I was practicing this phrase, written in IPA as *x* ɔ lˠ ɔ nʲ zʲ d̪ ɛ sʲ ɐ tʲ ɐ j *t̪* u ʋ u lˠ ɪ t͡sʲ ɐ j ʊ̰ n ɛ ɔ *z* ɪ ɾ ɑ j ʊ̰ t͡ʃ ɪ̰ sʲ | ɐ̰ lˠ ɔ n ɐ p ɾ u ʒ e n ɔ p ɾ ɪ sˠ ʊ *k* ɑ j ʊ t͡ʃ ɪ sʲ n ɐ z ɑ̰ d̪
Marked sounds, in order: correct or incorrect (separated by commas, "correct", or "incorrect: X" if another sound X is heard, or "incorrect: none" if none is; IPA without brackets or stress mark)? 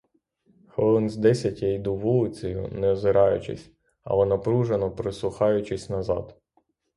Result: correct, incorrect: d̪, correct, incorrect: x